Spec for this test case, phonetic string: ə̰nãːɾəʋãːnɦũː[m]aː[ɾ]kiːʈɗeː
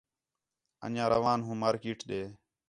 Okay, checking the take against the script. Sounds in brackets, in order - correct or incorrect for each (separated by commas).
correct, correct